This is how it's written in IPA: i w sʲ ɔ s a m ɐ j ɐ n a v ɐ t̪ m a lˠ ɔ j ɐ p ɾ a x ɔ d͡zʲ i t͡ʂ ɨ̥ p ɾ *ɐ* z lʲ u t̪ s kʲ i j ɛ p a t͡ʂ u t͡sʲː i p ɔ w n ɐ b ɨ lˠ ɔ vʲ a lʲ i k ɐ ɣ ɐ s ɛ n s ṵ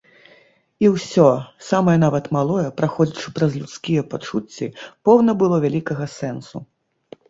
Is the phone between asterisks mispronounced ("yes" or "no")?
no